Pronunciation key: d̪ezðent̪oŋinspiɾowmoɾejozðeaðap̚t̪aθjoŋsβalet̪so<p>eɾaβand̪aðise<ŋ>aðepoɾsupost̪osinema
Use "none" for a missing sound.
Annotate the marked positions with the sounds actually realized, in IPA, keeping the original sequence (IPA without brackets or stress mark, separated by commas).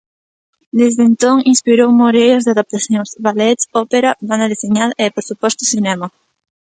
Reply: p, ɲ